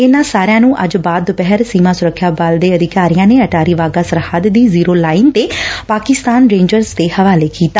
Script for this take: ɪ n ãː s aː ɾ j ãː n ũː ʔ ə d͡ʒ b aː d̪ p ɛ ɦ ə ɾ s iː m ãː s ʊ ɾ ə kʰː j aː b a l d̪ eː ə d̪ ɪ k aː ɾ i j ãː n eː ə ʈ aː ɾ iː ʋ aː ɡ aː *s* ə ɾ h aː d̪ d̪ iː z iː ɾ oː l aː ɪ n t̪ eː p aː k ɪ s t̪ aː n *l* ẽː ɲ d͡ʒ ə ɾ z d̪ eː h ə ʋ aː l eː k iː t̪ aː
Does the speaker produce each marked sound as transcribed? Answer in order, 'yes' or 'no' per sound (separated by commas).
yes, no